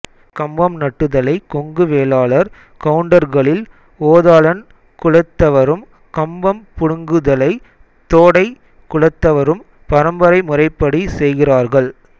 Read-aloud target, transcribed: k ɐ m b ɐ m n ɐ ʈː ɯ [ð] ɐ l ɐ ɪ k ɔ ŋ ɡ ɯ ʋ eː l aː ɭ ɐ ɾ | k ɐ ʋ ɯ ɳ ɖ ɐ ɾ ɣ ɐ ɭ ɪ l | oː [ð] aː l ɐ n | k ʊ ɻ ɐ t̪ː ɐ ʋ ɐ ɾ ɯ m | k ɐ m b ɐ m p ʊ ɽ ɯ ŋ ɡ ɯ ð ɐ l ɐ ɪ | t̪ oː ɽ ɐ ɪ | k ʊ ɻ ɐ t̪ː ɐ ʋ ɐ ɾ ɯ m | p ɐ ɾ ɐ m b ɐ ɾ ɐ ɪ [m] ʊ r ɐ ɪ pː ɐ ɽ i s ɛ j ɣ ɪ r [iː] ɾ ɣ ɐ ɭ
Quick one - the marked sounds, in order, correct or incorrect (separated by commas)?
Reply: correct, correct, correct, incorrect